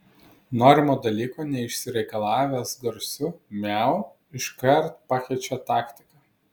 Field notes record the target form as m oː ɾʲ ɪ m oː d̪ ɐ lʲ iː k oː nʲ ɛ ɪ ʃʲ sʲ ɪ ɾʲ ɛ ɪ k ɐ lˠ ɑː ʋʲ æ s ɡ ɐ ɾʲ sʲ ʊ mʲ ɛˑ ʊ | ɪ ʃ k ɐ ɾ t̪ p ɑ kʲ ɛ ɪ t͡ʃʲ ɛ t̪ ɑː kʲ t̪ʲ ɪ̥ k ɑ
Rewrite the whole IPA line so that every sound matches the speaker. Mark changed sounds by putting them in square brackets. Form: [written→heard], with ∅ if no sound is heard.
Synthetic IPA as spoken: [m→n] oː ɾʲ ɪ m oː d̪ ɐ lʲ iː k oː nʲ ɛ ɪ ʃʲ sʲ ɪ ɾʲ ɛ ɪ k ɐ lˠ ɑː ʋʲ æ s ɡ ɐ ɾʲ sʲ ʊ mʲ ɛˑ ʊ | ɪ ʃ k ɐ ɾ t̪ p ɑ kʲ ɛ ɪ t͡ʃʲ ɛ t̪ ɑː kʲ t̪ʲ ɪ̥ k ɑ